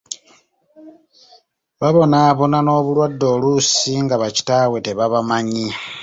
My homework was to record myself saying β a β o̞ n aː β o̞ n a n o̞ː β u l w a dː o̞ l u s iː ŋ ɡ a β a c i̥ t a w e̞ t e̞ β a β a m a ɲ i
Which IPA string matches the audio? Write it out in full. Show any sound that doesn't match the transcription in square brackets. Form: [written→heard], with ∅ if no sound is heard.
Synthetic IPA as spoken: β a β o̞ n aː β o̞ n a n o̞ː β u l w a dː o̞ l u s [iː→i] ŋ ɡ a β a c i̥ t a w e̞ t e̞ β a β a m a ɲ i